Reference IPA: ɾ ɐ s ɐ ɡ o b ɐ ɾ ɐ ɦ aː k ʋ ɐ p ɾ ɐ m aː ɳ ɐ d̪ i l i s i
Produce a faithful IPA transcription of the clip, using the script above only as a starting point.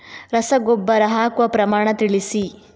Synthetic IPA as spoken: ɾ ɐ s ɐ ɡ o bː ɐ ɾ ɐ ɦ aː k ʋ ɐ p ɾ ɐ m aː ɳ ɐ t̪ i ɭ i s i

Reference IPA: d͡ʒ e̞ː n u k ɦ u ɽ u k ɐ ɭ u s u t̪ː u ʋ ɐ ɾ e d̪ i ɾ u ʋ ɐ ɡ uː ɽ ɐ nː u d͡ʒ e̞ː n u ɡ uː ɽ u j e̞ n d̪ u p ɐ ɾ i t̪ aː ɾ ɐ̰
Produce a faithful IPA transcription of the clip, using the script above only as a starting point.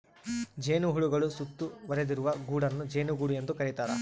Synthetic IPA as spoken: d͡ʒ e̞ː n u ɦ u ɭ u ɡ ɐ ɭ u s u t̪ː u ʋ ɐ ɾ e d̪ i ɾ u ʋ ɐ ɡ uː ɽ ɐ nː u d͡ʒ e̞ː n u ɡ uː ɽ u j e̞ n d̪ u k ɐ ɾ i t̪ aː ɾ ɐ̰

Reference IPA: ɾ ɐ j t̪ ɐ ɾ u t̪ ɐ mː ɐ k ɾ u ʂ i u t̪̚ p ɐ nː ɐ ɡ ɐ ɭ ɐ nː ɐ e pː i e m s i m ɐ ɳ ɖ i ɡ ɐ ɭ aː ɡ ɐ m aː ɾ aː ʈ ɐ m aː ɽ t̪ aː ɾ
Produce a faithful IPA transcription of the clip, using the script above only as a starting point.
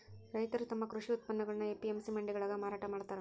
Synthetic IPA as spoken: ɾ ɐ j t̪ ɐ ɾ u t̪ ɐ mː ɐ k ɾ u ʂ i u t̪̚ p ɐ nː ɐ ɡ ɐ ɭ ɐ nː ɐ e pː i e m s i m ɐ ɳ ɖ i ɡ ɐ ɭ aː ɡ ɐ m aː ɾ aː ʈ ɐ m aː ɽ t̪ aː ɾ

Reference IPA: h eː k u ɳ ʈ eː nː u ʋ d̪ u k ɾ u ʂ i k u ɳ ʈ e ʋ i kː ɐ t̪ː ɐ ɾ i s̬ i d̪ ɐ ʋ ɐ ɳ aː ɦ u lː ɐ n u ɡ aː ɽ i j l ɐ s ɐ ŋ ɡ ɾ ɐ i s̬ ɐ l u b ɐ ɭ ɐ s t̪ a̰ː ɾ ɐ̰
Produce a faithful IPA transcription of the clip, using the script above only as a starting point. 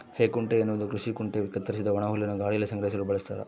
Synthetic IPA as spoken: h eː k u ɳ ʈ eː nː u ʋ d̪ u k ɾ u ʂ i k u ɳ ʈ e ʋ i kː ɐ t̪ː ɐ ɾ i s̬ i d̪ ɐ ʋ ɐ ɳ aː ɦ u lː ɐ n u ɡ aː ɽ i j l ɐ s ɐ ŋ ɡ ɾ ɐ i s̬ ɐ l u b ɐ ɭ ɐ s t̪ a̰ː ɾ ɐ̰

